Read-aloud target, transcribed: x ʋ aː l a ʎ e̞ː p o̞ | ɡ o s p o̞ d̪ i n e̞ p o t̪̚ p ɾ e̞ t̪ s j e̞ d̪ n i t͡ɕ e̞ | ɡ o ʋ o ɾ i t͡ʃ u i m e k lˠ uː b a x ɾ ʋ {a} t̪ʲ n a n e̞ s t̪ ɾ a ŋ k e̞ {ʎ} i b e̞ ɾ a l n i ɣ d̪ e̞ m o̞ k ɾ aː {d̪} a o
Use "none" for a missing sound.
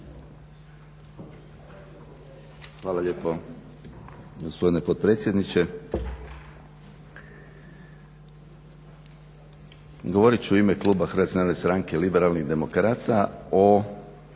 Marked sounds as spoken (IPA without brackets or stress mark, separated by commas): a, l, t̪